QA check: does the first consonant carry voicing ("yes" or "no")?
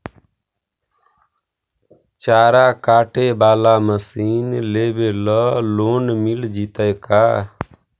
no